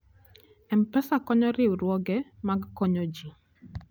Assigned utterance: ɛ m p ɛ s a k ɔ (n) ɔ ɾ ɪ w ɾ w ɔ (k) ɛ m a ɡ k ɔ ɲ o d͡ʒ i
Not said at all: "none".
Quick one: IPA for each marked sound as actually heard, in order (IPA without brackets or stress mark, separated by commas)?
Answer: ɲ, ɡ